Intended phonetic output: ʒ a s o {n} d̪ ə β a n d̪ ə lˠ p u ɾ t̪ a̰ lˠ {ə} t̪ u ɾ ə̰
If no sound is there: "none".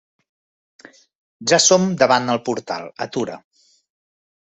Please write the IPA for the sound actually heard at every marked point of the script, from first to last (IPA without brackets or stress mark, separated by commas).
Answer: m, ə